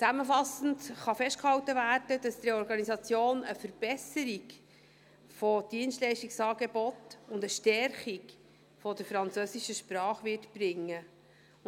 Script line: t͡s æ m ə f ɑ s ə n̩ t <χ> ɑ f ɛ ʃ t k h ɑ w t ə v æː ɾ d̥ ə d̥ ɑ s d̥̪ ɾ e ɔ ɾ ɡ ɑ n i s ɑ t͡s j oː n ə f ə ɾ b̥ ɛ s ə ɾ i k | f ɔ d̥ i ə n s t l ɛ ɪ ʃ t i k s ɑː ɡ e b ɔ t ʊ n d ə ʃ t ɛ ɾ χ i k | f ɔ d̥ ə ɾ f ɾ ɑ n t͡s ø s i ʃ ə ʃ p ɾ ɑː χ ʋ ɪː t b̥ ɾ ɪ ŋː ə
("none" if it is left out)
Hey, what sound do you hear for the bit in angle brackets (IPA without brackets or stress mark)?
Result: χ